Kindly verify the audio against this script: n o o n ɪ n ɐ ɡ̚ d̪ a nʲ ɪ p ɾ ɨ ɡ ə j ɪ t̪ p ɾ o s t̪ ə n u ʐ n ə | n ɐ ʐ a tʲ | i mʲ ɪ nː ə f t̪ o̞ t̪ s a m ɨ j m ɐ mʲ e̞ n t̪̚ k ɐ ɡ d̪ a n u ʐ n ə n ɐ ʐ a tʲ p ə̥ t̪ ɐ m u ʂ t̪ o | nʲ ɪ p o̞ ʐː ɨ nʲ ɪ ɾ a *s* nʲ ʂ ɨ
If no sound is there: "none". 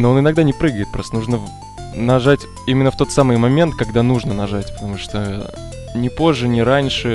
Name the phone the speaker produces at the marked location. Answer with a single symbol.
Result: none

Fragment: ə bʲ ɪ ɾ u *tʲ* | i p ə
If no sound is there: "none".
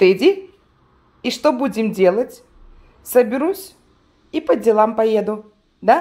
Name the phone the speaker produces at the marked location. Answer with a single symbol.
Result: sʲ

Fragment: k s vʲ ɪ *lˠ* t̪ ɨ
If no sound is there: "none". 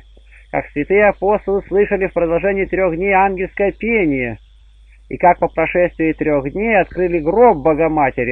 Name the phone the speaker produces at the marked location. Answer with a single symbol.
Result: none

